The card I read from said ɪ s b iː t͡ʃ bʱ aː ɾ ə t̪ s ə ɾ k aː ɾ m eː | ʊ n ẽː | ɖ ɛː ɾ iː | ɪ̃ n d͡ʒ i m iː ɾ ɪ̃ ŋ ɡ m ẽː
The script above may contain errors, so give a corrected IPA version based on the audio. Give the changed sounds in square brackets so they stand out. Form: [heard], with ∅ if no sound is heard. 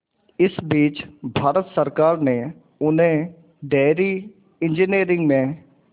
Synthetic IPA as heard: ɪ s b iː t͡ʃ bʱ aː ɾ ə t̪ s ə ɾ k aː ɾ [n] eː | ʊ n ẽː | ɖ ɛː ɾ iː | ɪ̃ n d͡ʒ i [n] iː ɾ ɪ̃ ŋ ɡ m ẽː